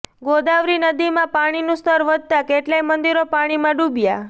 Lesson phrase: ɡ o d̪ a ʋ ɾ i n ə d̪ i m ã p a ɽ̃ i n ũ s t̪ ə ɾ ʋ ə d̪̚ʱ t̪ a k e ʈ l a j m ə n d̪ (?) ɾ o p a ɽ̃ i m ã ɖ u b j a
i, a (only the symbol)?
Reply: i